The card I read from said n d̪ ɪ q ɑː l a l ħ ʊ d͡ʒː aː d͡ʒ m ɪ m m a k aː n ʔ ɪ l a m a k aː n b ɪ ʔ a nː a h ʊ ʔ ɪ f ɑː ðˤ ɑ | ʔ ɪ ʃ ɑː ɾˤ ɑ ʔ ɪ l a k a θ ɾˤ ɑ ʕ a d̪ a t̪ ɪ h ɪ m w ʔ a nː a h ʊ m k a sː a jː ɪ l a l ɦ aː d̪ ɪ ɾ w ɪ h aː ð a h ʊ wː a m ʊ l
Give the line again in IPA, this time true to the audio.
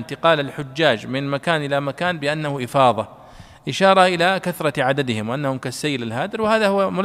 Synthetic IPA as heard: n t̪ ɪ q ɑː l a l ħ ʊ d͡ʒː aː d͡ʒ m ɪ n m a k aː n ʔ ɪ l a m a k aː n b ɪ ʔ a nː a h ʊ ʔ ɪ f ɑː ðˤ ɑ | ʔ ɪ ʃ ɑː ɾˤ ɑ ʔ ɪ l a k a θ ɾˤ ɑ ʕ a d̪ a d̪ ɪ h ɪ m w ʔ a nː a h ʊ m k a sː a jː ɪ l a l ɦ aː d̪ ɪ ɾ w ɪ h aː ð a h ʊ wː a m ʊ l